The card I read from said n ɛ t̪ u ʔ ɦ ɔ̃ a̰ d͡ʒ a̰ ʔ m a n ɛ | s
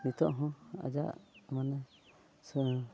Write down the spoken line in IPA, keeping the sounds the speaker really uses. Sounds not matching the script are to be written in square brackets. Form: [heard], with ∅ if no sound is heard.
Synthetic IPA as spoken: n [i] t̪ [ɔ] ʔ ɦ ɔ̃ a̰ d͡ʒ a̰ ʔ m a n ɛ | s